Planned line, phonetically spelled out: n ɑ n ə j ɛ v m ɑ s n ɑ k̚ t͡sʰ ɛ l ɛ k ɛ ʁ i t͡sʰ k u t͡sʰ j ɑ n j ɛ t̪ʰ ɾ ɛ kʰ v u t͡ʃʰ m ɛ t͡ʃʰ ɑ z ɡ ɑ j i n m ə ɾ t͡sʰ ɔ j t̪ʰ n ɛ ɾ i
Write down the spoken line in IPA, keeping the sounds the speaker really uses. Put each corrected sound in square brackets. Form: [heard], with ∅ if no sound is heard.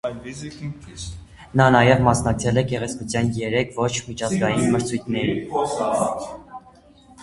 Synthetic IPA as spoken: n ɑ n [ɑ] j ɛ v m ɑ s n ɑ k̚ t͡sʰ ɛ l ɛ k ɛ ʁ [ɛ] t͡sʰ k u t͡sʰ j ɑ n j ɛ [∅] ɾ ɛ kʰ v [ɔ] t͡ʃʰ m [i] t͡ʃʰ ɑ z ɡ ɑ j i n m ə ɾ t͡sʰ [u] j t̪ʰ n ɛ ɾ i